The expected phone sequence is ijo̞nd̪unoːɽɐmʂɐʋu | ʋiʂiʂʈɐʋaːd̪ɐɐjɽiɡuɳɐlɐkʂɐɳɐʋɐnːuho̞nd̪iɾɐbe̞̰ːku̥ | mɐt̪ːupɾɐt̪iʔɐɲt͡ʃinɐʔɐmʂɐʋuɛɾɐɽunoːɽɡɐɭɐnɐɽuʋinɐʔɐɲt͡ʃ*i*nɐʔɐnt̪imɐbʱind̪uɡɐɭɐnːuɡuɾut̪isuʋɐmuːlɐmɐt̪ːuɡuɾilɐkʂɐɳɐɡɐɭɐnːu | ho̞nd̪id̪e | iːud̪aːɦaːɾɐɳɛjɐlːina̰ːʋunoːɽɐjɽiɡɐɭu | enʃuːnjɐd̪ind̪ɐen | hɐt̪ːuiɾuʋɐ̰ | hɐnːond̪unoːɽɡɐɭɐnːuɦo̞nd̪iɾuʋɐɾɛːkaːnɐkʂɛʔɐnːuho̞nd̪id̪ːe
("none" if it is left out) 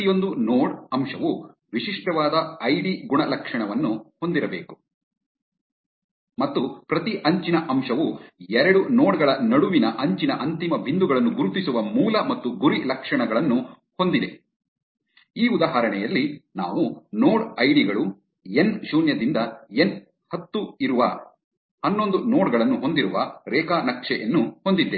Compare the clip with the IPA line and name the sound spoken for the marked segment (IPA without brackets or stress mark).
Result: i